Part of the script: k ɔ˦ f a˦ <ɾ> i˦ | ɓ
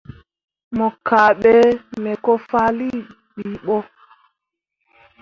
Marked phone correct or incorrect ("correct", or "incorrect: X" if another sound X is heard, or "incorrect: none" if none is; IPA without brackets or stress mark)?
incorrect: l